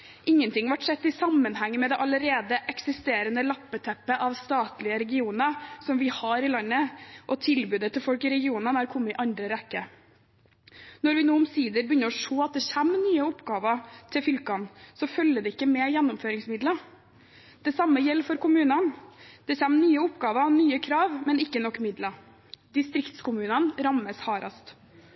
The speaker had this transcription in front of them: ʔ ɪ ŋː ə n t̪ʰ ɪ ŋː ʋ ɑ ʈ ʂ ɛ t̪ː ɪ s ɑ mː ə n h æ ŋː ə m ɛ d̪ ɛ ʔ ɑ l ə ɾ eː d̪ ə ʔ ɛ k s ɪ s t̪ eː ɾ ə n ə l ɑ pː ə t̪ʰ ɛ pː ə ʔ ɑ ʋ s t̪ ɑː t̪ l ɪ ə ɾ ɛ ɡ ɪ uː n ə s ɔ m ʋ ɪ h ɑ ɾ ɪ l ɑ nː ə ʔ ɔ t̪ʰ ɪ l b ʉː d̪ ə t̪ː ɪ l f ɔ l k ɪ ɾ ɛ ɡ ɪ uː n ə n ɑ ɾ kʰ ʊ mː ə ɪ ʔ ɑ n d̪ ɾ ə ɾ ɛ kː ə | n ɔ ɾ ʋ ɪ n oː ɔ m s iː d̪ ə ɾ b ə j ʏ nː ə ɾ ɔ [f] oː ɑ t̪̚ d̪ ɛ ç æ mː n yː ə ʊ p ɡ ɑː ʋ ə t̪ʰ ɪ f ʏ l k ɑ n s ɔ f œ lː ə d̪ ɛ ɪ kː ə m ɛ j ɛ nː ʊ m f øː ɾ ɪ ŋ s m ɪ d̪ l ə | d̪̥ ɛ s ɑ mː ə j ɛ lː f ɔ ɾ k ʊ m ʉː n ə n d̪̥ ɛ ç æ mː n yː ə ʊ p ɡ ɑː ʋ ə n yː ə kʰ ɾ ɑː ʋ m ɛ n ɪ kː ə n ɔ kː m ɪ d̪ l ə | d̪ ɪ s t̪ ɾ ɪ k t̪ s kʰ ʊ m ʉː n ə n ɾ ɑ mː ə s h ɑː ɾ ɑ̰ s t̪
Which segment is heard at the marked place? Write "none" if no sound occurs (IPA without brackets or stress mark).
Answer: ʂ